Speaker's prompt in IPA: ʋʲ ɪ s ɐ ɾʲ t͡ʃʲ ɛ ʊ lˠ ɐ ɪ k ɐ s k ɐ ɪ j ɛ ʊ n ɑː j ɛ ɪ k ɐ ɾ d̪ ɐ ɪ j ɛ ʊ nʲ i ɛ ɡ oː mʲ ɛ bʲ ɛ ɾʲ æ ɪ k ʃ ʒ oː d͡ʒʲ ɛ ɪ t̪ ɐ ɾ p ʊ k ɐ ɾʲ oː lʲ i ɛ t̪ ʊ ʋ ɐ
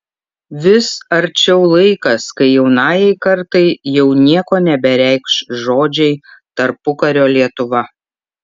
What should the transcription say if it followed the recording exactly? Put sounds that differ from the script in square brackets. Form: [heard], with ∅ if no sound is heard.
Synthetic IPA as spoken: ʋʲ ɪ s ɐ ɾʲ t͡ʃʲ ɛ ʊ lˠ ɐ ɪ k ɐ s k ɐ ɪ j ɛ ʊ n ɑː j ɛ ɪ k ɐ ɾ [t̪] ɐ ɪ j ɛ ʊ nʲ i ɛ [k] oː [nʲ] ɛ bʲ ɛ ɾʲ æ ɪ k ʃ ʒ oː d͡ʒʲ ɛ ɪ t̪ ɐ ɾ p ʊ k ɐ ɾʲ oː lʲ i ɛ t̪ ʊ ʋ ɐ